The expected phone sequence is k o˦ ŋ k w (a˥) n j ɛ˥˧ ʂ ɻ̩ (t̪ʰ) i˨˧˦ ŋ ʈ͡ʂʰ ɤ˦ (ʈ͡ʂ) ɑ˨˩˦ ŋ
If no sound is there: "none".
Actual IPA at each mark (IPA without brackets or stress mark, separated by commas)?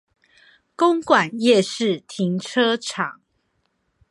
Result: a˨˩, t̪ʰ, ʈ͡ʂʰ